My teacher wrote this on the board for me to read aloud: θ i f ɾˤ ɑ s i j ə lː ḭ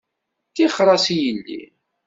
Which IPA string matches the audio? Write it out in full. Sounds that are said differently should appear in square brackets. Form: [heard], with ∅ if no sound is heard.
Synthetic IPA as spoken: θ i [χ] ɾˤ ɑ s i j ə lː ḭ